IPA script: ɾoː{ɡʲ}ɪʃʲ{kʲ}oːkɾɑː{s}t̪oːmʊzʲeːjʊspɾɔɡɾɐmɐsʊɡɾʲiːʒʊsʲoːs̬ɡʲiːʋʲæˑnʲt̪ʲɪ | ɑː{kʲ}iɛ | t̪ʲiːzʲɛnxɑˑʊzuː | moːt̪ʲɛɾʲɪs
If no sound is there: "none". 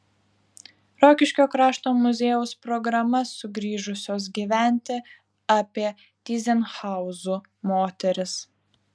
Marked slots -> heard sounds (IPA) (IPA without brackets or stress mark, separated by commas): kʲ, kʲ, ʃ, pʲ